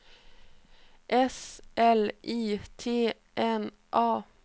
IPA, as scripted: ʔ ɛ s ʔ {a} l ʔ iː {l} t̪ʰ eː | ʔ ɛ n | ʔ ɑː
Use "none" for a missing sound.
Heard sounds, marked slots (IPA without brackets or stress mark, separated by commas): ɛ, none